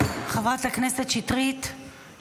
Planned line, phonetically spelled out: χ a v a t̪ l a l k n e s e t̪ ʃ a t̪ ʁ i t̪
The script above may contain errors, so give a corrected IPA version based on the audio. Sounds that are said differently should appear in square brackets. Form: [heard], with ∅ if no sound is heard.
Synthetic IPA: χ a v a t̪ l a [∅] k n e s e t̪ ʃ [i] t̪ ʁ i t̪

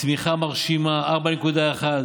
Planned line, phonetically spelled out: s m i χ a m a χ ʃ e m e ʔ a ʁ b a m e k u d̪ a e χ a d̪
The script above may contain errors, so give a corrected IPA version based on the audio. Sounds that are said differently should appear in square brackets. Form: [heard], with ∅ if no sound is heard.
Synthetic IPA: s m i χ a m a [ʁ] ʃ [i] m [a] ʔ a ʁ b a [n] e k u d̪ a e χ a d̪

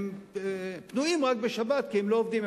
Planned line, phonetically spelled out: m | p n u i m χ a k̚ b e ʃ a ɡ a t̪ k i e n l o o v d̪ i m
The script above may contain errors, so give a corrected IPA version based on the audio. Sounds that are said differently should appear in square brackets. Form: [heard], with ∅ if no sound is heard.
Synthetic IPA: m | p n u i m [ʁ] a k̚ b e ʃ a [b] a t̪ k i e [m] l o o v d̪ i m

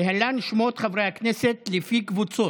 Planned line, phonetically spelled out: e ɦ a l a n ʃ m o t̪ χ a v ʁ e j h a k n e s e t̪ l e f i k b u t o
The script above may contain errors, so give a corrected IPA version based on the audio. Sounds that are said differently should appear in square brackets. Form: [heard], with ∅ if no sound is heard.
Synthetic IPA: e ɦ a l a n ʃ m o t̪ χ a v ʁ e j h a k n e s e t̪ l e f i k [v] u [t͡s] o

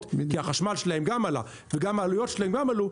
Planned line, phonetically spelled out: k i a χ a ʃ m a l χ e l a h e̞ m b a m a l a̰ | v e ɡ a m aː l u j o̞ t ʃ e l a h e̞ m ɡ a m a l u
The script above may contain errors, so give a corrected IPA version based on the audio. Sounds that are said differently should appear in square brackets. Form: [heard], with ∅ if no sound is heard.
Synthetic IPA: k i a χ a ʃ m a l [ʃ] e l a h e̞ m [ɡ] a m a l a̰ | v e ɡ a m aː l u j o̞ t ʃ e l a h e̞ m ɡ a m a l u

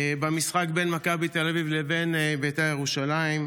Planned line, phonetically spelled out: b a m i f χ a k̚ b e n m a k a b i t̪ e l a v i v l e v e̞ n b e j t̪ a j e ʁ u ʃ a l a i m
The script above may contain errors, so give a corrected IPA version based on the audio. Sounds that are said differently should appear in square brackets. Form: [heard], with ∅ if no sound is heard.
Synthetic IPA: b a m i [s] χ a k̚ b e n m a k a b i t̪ e l a v i v l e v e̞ n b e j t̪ a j e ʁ u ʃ a l a i m

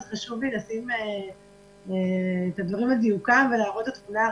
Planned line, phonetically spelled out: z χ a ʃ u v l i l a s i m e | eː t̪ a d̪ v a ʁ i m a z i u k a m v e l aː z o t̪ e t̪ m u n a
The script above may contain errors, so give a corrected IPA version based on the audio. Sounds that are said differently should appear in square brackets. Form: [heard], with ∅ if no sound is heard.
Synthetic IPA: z χ a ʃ u v l i l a s i m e | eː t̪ a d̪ v a ʁ i m a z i u k a m v e l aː [ʁ] o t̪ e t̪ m u n a

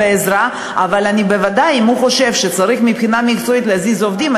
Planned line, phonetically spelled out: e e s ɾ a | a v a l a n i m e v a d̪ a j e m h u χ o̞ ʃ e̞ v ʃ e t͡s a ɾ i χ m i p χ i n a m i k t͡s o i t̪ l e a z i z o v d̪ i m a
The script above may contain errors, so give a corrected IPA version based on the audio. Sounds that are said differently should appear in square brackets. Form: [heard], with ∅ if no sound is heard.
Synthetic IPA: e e [z] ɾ a | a v a l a n i [b] e v a d̪ a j [i] m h u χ o̞ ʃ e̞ v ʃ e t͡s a ɾ i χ m i p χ i n a m i k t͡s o i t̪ l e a z i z o v d̪ i m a

